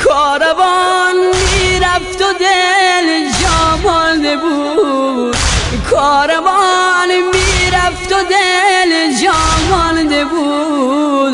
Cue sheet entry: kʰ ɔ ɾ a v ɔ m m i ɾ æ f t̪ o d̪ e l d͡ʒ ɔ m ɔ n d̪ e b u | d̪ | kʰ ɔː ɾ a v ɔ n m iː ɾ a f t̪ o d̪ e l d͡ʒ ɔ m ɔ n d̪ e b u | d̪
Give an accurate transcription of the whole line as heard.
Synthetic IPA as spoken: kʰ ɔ ɾ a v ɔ n m i ɾ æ f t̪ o d̪ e l d͡ʒ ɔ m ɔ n d̪ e b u | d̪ | kʰ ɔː ɾ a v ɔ n m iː ɾ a f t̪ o d̪ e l d͡ʒ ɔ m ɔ n d̪ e b u | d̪